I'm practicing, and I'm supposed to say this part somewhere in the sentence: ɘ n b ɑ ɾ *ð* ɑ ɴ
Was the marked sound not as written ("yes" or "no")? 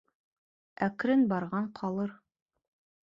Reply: yes